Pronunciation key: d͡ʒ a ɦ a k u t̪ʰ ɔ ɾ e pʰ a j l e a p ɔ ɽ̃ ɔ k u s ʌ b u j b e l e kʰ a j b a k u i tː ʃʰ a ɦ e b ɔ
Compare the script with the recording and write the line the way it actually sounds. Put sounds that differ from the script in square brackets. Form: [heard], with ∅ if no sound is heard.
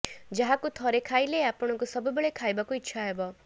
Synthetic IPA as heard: d͡ʒ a ɦ a k u t̪ʰ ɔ ɾ e [kʰ] a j l e a p ɔ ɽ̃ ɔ k u s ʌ b u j b e [ɭ] e kʰ a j b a k u i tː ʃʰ a ɦ e b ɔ